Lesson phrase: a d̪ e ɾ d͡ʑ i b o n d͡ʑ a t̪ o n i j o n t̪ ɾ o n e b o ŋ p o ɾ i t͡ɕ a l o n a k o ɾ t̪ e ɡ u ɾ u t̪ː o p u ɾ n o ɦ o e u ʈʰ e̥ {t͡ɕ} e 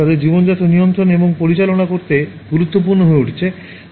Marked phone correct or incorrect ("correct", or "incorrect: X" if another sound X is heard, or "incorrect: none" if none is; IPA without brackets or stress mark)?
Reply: incorrect: t͡ɕʰ